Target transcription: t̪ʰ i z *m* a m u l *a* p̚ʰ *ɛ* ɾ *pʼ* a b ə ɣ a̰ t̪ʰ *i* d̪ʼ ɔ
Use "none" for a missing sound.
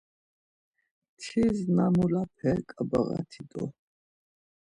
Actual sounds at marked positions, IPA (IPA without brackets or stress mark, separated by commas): n, a, ɛ, kʼ, i